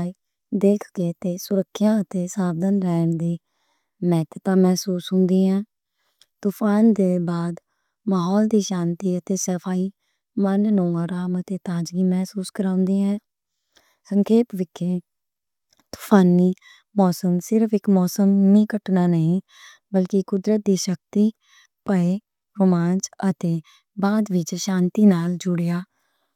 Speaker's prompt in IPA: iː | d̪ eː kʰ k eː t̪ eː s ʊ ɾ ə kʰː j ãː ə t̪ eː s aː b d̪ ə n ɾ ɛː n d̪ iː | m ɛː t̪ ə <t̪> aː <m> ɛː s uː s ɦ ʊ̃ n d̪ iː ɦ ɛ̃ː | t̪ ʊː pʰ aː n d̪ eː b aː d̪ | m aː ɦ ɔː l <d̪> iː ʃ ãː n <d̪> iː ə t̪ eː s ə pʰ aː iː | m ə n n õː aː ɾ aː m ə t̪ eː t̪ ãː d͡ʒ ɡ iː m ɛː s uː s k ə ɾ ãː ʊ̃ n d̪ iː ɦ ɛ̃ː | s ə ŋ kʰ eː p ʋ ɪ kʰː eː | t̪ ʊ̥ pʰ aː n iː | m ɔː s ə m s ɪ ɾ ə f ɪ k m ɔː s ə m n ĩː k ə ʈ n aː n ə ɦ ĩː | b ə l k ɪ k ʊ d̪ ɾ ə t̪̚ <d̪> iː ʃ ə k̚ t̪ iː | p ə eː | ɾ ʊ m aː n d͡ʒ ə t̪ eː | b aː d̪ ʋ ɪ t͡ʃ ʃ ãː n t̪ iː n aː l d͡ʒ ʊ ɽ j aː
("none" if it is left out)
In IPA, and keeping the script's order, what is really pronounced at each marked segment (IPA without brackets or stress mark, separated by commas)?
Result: t̪, m, d̪, t̪, d̪